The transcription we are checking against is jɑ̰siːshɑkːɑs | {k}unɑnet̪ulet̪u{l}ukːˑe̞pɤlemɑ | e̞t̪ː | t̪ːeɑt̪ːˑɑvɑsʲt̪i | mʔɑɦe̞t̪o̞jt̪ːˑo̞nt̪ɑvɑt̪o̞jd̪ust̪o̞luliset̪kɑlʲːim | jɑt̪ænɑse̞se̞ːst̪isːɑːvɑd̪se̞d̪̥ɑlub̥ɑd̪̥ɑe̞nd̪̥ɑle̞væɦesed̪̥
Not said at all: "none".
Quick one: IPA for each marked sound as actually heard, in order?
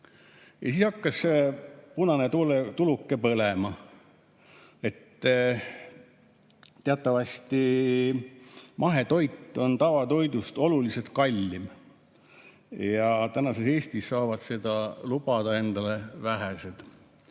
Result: p, l

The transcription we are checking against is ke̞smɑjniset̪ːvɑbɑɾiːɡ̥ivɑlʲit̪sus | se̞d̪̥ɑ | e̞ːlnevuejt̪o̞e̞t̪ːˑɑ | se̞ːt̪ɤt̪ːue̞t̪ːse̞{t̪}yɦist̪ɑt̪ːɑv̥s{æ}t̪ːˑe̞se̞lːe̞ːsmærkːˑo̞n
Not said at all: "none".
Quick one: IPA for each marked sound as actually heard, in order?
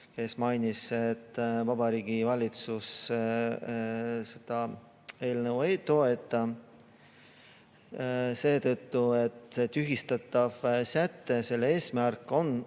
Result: t̪, æ

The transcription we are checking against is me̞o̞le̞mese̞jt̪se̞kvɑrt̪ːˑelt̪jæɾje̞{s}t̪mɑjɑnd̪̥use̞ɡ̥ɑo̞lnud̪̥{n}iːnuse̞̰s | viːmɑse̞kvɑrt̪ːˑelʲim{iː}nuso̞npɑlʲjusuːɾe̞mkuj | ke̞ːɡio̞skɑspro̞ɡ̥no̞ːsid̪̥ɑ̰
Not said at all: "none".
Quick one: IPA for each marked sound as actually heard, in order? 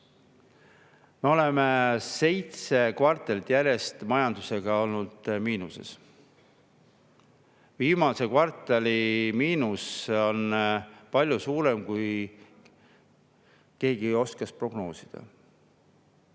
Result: s, m, iː

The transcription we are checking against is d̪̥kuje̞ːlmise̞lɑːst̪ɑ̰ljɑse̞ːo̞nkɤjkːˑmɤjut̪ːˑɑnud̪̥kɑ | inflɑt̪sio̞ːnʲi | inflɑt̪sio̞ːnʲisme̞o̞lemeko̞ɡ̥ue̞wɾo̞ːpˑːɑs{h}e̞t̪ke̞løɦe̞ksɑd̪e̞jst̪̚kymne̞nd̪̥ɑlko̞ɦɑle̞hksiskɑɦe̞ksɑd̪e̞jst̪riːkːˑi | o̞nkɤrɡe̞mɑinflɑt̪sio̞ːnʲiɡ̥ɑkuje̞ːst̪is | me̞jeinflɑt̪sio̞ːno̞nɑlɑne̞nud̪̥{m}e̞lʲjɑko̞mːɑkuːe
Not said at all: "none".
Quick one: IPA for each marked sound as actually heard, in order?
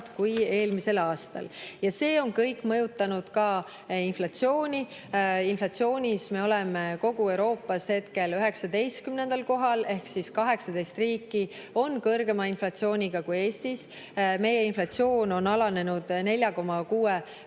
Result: h, n

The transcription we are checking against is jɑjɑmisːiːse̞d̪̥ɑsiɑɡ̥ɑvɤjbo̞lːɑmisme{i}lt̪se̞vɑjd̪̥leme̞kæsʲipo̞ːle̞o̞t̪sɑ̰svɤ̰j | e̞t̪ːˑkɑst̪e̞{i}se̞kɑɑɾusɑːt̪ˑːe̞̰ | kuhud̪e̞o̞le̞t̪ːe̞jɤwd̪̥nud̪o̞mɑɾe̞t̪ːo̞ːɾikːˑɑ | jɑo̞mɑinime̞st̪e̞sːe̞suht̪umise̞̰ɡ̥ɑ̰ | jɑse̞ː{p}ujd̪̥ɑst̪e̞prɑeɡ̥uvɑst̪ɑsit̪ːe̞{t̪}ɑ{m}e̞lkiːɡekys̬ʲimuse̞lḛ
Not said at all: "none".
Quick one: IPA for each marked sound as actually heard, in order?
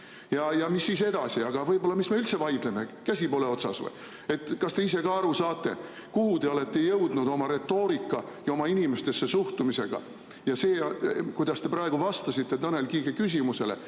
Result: y, i, k, t̪, n

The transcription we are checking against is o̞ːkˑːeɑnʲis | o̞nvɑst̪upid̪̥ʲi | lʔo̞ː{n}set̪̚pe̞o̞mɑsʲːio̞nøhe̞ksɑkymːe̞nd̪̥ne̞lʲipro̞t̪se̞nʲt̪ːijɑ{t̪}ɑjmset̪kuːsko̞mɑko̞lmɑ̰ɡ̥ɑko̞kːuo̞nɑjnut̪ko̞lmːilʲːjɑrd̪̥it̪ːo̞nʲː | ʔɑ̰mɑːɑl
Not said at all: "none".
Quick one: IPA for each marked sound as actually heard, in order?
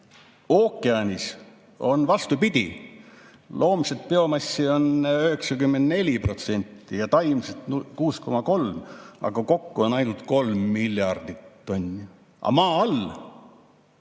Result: m, t̪

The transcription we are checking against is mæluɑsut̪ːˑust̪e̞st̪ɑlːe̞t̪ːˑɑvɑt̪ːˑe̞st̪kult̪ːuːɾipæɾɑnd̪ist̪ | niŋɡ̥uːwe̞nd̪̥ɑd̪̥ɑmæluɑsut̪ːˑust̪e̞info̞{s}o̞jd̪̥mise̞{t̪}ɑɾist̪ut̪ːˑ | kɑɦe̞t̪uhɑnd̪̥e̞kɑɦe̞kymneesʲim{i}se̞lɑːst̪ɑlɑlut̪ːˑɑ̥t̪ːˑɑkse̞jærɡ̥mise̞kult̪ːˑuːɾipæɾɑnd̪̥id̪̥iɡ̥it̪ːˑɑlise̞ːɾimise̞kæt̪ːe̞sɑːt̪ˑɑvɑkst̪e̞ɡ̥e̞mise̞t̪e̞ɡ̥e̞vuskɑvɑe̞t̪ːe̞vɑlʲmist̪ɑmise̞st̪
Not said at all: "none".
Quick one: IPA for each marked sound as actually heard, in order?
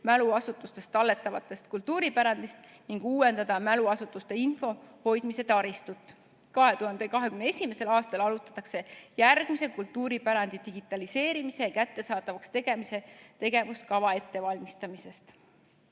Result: h, t̪, e

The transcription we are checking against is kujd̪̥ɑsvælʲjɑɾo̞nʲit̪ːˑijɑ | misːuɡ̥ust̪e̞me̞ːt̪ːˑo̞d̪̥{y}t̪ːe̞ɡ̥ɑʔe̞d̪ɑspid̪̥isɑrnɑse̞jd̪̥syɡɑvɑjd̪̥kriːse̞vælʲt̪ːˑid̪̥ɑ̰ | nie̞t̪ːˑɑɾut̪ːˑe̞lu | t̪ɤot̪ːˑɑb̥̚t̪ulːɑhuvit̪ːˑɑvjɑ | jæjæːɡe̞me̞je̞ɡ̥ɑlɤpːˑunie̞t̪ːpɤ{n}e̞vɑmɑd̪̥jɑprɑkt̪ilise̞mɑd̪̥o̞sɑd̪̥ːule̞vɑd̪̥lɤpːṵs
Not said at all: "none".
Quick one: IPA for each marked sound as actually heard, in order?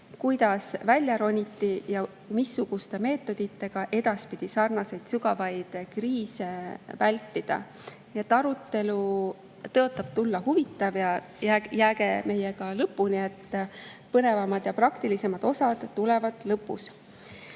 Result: i, n

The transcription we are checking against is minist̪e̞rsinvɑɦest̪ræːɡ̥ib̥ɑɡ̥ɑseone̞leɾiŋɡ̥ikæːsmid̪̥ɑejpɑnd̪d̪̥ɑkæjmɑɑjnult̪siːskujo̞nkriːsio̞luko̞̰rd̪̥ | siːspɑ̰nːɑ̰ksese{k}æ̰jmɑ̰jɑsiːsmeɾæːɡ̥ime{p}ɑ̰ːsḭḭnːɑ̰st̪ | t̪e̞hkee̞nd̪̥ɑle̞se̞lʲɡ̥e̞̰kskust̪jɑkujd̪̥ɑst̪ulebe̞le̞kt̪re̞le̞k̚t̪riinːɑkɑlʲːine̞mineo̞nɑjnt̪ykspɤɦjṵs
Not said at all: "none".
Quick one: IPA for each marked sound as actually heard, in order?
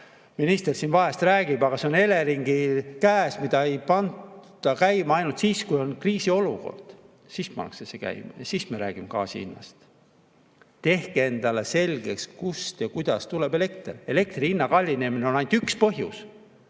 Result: k, k

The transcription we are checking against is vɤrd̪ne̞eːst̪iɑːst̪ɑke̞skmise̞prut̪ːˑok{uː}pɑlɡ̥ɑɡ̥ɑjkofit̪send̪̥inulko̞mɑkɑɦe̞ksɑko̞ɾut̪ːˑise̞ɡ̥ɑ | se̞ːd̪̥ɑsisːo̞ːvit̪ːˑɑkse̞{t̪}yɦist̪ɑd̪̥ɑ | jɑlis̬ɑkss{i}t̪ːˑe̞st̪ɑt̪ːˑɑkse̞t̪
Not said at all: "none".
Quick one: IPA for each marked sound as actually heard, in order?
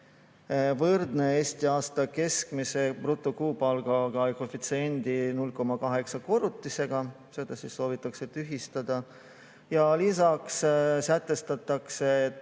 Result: uː, t̪, æ

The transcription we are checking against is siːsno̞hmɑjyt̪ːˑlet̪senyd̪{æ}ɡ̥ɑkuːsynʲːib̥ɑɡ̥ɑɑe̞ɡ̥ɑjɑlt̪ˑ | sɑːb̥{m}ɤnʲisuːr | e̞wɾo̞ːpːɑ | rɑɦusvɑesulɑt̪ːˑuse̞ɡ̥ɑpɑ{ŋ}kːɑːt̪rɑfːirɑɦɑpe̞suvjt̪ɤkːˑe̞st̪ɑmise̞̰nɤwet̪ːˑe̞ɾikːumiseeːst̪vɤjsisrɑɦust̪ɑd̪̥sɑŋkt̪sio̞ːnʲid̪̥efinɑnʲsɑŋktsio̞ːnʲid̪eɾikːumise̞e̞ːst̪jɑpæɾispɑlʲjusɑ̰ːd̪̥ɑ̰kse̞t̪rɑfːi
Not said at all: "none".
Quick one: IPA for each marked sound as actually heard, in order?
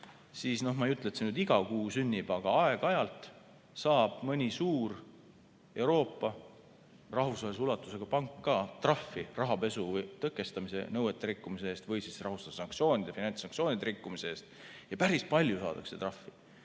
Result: i, m, ŋ

